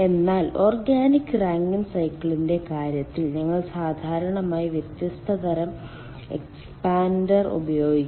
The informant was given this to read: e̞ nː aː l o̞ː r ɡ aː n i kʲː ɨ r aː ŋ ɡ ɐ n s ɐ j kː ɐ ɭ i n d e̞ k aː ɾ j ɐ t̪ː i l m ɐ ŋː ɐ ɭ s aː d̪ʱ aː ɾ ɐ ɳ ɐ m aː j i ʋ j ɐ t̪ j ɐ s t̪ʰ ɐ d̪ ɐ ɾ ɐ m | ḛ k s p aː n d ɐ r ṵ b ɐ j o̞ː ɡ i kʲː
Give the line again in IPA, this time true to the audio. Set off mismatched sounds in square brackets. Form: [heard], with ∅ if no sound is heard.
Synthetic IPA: e̞ nː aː l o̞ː r ɡ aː n i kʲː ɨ r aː ŋ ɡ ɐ n s ɐ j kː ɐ ɭ i n d e̞ k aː ɾ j ɐ t̪ː i l [ɲ] ɐ ŋː ɐ ɭ s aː d̪ʱ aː ɾ ɐ ɳ ɐ m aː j i ʋ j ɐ t̪ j ɐ s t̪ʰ ɐ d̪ ɐ ɾ ɐ m | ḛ k s p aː n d ɐ r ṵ b ɐ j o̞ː ɡ i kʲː